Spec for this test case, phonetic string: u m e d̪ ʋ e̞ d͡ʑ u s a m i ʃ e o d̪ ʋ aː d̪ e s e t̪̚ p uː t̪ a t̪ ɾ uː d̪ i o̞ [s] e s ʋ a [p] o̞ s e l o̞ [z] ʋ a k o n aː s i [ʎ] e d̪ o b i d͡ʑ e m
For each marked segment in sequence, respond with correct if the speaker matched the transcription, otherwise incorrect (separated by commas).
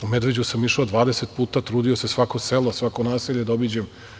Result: correct, incorrect, incorrect, correct